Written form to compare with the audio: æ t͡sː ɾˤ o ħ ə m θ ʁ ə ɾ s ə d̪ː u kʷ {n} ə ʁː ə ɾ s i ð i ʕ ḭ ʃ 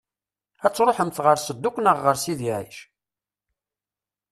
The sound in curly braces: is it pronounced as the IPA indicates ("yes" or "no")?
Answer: yes